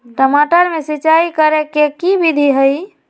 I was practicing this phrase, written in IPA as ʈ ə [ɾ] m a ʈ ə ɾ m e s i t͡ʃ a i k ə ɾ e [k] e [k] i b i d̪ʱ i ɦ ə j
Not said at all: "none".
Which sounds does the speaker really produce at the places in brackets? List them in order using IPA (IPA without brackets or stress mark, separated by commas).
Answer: none, k, k